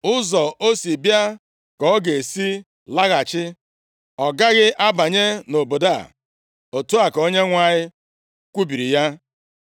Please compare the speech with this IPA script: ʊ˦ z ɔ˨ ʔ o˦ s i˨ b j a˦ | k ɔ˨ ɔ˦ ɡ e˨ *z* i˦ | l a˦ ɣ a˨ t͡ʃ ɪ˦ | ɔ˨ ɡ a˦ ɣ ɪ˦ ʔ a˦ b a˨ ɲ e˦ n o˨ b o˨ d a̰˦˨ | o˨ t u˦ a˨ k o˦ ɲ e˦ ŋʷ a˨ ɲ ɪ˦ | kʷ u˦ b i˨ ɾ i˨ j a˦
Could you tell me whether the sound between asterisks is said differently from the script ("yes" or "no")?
yes